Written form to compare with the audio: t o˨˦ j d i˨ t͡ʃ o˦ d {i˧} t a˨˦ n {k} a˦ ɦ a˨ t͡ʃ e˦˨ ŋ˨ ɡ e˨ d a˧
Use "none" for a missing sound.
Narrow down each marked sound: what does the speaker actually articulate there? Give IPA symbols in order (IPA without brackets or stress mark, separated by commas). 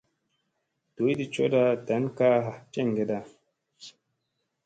a˧, k